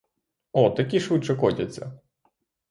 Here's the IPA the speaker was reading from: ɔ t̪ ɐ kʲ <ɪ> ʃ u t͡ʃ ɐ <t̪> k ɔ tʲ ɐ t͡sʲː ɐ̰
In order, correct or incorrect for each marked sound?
incorrect: i, incorrect: none

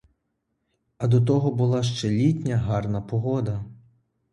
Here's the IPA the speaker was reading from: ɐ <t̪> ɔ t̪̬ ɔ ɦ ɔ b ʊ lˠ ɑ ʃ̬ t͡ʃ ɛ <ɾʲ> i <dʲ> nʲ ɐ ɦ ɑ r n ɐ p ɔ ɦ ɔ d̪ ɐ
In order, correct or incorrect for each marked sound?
incorrect: d̪, incorrect: lʲ, incorrect: tʲ

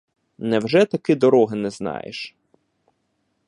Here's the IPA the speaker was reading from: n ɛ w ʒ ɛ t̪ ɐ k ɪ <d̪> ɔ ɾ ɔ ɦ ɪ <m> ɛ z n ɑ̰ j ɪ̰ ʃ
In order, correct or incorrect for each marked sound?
correct, incorrect: n

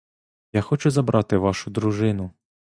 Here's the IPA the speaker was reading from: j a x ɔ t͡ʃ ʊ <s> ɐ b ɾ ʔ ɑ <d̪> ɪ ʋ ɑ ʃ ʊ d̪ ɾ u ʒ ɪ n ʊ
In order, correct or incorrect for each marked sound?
incorrect: z, incorrect: t̪

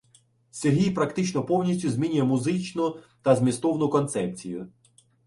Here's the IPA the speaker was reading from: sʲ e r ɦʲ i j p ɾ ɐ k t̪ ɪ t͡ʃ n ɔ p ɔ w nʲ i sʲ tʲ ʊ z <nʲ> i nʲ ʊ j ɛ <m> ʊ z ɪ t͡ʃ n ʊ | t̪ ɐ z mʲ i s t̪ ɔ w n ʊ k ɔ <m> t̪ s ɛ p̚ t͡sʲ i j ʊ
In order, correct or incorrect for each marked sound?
incorrect: mʲ, correct, incorrect: n

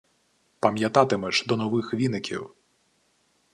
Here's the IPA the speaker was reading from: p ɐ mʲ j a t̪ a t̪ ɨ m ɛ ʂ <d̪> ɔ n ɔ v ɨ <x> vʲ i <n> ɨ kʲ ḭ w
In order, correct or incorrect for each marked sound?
correct, correct, correct

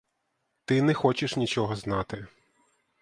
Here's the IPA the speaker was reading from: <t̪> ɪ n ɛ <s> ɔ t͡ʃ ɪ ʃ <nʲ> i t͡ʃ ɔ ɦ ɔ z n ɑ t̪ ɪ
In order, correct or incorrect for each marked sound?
correct, incorrect: x, correct

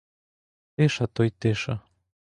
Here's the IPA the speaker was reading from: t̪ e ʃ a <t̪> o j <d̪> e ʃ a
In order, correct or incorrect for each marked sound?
correct, incorrect: t̪

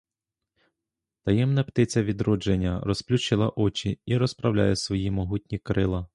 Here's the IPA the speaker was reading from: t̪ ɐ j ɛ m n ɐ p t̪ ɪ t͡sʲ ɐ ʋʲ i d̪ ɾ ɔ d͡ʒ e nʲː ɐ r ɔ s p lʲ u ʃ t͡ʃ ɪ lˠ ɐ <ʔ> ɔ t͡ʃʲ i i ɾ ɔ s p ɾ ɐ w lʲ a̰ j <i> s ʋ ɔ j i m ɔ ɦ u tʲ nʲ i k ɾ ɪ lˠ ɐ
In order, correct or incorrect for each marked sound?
correct, incorrect: ɛ

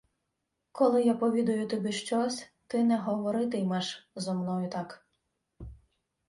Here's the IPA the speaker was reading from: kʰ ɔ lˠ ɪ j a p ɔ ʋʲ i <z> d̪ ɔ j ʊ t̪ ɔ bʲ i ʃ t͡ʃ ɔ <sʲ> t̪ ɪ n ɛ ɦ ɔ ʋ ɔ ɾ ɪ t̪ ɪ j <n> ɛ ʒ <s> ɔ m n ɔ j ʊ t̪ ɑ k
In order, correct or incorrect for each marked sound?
incorrect: none, correct, incorrect: m, incorrect: z

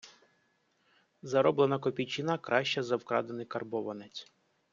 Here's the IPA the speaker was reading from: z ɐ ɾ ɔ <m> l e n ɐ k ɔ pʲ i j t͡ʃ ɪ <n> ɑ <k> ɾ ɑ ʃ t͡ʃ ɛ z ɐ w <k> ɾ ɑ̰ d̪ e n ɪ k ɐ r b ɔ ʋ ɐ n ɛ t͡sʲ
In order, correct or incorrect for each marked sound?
incorrect: b, correct, correct, correct

